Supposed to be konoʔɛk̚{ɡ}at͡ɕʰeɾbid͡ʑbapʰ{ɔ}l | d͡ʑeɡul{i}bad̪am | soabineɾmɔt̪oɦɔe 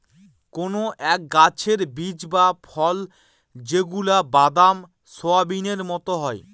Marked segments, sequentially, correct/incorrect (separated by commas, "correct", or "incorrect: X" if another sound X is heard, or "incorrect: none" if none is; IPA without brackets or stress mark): correct, correct, incorrect: a